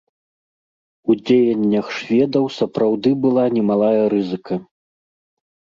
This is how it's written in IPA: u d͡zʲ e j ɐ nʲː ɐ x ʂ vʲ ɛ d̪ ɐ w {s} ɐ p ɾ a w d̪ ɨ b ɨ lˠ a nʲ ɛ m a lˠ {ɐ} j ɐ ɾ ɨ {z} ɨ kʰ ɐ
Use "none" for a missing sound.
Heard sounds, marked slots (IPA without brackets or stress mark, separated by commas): s, a, z